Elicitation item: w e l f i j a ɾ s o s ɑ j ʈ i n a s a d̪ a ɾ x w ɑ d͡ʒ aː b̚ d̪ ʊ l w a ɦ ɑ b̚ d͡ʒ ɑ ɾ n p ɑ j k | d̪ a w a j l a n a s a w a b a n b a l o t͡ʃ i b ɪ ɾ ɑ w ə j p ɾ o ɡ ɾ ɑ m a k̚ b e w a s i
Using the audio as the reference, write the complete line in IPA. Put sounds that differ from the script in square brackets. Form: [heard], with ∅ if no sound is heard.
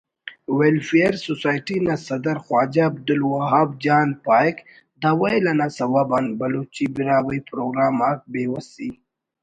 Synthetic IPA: w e l f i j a ɾ s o s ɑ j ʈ i n a s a d̪ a ɾ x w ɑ d͡ʒ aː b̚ d̪ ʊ l w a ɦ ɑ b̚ d͡ʒ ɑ [∅] n p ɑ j k | d̪ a w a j l a n a s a w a b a n b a l o t͡ʃ i b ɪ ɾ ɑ w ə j p ɾ o ɡ ɾ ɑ m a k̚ b e w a s i